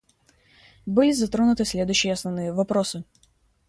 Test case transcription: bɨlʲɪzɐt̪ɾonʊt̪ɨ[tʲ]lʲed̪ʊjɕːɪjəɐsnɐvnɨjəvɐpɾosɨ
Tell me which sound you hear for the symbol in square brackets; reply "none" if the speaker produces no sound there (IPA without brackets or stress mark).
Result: sʲ